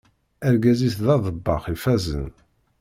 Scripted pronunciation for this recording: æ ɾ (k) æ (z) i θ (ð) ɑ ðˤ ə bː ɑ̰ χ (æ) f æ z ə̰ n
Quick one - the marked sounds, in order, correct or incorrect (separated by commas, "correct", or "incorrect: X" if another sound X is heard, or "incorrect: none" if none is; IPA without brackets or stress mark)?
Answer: incorrect: ɡ, correct, correct, incorrect: i